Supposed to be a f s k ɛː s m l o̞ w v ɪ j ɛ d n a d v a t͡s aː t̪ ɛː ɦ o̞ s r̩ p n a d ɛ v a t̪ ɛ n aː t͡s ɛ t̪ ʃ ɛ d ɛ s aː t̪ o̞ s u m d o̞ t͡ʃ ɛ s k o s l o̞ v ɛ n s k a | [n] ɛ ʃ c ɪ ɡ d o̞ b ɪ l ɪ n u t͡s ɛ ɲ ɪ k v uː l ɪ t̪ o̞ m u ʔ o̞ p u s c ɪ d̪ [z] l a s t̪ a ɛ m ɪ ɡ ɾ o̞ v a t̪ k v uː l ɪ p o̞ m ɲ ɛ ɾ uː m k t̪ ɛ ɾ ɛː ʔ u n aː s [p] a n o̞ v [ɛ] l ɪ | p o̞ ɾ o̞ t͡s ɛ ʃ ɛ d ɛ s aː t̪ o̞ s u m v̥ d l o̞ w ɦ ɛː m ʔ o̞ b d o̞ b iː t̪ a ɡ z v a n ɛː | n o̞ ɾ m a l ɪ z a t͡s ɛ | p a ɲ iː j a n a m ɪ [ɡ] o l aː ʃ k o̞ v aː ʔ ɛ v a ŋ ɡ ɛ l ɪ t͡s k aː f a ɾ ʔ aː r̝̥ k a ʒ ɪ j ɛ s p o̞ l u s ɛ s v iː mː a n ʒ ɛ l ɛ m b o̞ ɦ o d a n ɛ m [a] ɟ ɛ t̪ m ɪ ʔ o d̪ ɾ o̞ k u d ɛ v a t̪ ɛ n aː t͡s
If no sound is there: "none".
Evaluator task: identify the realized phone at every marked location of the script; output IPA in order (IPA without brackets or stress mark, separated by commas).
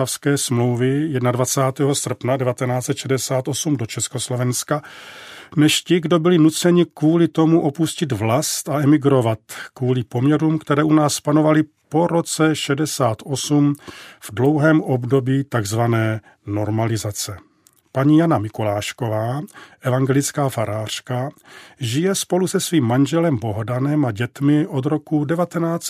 n, v, p, a, k, a